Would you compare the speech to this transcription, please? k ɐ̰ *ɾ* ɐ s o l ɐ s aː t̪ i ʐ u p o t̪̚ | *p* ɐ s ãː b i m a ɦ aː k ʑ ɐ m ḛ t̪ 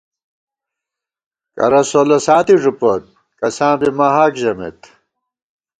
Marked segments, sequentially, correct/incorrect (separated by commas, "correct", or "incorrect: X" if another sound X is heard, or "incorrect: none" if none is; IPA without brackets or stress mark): correct, incorrect: k